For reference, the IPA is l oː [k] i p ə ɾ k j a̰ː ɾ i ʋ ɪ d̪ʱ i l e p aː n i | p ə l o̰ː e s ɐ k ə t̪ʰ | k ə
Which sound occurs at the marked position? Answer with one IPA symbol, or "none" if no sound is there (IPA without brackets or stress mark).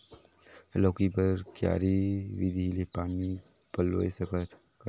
k